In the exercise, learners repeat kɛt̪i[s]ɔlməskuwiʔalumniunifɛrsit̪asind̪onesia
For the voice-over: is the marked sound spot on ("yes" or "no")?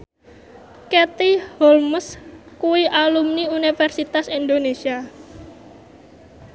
no